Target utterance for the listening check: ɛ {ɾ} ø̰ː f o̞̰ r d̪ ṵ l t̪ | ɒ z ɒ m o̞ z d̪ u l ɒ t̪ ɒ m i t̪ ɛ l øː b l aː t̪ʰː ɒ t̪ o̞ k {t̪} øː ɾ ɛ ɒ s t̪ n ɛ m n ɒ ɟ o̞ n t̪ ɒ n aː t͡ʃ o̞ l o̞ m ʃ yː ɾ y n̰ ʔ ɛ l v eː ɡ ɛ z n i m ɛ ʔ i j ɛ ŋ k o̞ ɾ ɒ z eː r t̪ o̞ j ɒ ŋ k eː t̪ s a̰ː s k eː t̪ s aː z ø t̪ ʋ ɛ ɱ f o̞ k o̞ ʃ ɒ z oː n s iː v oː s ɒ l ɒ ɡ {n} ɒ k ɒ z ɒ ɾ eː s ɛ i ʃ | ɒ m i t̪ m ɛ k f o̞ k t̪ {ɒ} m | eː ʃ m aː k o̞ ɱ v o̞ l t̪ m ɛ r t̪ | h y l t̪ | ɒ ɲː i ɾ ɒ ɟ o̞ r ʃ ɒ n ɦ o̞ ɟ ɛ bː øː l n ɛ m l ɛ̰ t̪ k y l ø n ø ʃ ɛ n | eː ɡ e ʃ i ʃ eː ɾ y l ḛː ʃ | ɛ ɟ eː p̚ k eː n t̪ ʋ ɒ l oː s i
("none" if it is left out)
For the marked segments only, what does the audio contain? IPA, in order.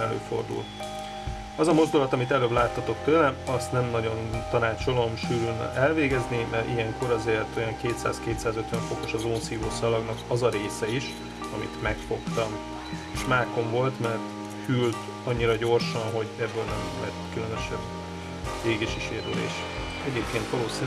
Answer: l, t̪, n, ɒ

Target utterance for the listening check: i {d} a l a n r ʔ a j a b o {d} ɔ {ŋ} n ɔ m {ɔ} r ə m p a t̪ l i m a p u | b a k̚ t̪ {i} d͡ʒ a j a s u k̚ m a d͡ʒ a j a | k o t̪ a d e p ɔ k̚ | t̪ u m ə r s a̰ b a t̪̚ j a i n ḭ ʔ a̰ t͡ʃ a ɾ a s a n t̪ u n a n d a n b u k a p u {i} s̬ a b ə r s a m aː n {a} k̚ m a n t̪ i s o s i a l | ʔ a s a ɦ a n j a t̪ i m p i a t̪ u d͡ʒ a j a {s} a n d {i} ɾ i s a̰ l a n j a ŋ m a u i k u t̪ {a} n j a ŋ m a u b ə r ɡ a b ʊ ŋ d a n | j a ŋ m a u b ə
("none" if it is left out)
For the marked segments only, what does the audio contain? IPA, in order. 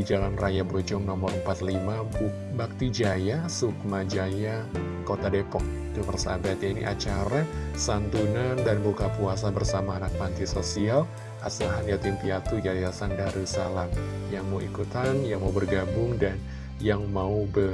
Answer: d͡ʒ, d͡ʒ, ŋ, ɔ, i, a, a, s, a, a

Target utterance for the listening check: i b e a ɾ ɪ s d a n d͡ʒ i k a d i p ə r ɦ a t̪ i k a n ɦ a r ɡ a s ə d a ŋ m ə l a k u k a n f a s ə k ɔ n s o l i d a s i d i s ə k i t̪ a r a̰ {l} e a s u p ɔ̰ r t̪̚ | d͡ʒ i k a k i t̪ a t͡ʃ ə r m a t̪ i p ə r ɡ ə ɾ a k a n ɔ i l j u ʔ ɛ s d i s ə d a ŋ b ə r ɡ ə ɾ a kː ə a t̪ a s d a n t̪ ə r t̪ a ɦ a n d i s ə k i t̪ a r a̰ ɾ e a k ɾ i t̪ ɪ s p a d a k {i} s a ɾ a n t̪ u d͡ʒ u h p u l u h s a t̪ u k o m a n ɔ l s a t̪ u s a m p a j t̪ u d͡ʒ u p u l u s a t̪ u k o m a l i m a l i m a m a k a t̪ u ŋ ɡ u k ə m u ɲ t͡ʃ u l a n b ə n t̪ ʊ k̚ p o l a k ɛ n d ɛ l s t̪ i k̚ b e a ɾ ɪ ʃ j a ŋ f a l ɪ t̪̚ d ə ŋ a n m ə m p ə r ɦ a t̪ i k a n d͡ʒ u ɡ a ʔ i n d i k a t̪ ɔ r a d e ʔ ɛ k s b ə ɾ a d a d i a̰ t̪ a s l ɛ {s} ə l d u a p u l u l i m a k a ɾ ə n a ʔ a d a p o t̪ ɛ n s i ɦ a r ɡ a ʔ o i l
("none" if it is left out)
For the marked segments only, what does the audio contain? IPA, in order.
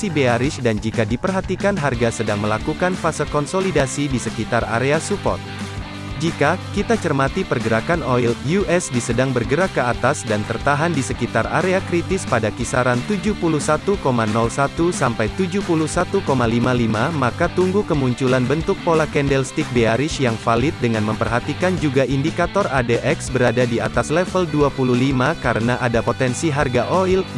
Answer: ɾ, i, f

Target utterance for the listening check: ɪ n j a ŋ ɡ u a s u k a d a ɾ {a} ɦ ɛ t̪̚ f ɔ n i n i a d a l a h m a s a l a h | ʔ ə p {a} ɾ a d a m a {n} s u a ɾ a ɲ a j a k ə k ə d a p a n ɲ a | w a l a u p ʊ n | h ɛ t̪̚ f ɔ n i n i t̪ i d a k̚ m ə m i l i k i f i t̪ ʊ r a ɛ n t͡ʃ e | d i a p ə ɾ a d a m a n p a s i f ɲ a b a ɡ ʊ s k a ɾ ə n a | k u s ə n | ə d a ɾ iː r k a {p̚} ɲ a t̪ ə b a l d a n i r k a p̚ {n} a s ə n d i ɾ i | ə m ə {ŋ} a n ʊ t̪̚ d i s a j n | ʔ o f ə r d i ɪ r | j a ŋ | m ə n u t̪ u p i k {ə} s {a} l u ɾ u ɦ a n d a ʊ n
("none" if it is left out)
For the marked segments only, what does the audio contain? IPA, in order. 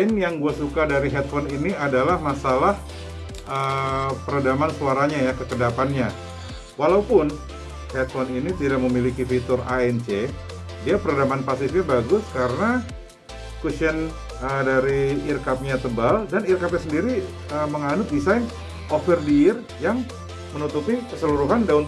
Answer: i, ə, n, p̚, ɲ, ŋ, ə, ə

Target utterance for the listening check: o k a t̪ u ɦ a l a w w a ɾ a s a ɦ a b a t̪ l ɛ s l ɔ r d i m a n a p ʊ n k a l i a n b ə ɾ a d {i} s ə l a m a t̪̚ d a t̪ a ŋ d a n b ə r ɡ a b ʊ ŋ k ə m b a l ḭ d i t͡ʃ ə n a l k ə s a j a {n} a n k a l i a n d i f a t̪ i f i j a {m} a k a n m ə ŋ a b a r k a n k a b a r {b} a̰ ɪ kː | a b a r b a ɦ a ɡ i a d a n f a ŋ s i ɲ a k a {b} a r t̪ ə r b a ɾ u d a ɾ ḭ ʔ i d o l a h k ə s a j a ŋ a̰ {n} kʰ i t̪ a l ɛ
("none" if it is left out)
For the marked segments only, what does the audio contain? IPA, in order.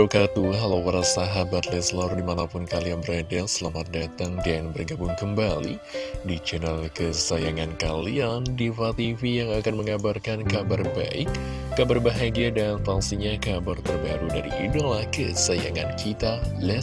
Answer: a, ŋ, ŋ, b, b, n

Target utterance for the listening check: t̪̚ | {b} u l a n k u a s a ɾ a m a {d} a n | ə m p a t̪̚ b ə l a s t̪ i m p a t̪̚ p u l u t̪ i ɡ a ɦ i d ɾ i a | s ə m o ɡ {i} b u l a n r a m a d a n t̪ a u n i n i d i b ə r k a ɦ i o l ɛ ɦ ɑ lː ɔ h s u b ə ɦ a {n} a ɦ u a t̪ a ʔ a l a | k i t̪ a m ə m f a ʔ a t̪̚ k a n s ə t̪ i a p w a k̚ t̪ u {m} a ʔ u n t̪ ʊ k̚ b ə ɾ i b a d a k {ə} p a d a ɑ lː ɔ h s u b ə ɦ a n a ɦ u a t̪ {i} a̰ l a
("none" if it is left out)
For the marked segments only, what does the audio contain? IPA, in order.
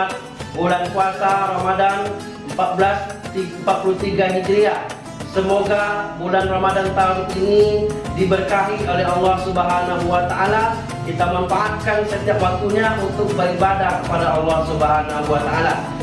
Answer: b, d, a, n, ɲ, ə, a

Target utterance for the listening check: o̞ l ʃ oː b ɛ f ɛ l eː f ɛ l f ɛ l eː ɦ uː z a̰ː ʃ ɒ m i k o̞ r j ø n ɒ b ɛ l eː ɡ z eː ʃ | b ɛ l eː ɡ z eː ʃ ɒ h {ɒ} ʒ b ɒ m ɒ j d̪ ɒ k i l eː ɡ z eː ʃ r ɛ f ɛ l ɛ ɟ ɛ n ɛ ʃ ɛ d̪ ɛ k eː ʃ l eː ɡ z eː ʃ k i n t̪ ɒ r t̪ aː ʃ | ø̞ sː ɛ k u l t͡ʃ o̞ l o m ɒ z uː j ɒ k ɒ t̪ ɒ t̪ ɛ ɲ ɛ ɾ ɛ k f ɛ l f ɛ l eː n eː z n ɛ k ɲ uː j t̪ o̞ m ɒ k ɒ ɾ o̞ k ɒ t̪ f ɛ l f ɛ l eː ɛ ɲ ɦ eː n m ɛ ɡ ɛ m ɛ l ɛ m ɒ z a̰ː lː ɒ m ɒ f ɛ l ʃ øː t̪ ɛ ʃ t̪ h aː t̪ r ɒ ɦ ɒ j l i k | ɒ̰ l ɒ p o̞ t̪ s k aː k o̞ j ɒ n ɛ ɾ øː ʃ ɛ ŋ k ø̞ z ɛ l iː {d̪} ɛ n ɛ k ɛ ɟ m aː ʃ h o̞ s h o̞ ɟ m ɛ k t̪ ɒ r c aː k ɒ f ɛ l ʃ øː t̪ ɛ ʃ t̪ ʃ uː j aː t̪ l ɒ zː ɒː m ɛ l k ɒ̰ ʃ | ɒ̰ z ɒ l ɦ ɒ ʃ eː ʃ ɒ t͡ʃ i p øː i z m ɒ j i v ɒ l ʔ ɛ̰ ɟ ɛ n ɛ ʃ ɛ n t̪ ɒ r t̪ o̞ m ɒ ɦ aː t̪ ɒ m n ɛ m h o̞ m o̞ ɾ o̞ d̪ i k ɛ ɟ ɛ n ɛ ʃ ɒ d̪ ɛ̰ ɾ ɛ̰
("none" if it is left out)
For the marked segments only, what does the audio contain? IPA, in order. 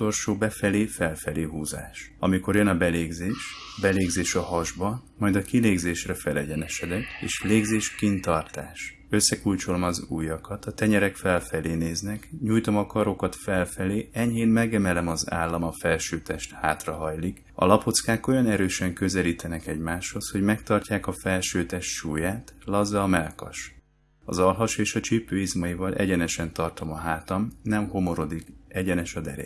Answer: ɒ, t̪

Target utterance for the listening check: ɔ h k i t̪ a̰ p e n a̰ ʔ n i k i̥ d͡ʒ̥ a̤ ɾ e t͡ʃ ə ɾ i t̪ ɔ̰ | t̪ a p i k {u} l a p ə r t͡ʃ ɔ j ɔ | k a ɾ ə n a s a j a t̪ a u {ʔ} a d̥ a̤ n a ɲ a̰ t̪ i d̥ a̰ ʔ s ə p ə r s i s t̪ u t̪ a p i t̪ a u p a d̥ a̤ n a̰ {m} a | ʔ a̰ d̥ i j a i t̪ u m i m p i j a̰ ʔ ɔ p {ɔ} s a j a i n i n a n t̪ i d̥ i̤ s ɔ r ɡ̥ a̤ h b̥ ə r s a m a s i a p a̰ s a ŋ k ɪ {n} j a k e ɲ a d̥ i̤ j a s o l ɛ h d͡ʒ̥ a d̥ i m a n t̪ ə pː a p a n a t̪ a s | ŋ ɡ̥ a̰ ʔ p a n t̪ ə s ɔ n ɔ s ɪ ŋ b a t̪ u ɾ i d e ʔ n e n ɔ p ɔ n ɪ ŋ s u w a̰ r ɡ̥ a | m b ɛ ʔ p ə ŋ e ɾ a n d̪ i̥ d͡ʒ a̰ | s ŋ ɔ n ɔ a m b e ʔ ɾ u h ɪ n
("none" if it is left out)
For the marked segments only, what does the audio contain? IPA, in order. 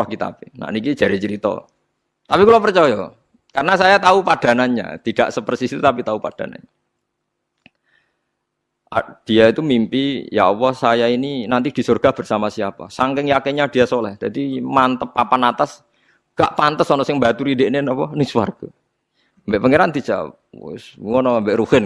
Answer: u, p, ɲ, ɔ, ŋ

